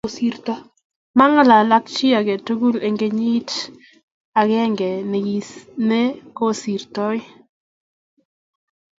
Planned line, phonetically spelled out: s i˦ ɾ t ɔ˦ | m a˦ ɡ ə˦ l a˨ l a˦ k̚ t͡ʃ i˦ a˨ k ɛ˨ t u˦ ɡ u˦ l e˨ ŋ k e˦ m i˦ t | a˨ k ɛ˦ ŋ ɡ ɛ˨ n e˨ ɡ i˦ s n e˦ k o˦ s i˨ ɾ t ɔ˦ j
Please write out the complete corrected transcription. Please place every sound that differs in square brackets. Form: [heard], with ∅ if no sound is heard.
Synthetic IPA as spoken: s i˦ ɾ t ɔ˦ | m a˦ [ŋ] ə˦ l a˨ l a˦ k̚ t͡ʃ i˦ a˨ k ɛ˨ t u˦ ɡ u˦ l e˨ ŋ [ɡ] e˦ [ɲ] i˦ t | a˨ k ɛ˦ ŋ ɡ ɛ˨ n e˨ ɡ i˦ s n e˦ k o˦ s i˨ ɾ t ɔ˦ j